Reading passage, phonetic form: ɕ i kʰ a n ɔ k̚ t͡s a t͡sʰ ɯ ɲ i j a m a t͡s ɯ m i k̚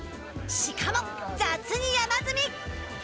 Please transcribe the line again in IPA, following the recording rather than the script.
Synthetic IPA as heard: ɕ i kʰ a m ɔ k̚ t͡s a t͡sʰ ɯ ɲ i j a m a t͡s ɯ m i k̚